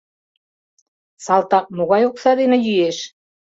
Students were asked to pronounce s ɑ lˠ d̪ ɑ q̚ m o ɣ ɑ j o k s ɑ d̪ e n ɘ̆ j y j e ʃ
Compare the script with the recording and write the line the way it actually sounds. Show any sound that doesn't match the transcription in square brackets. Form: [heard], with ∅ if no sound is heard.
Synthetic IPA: s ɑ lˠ [t̪] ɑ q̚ m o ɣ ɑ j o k s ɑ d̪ e n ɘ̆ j y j e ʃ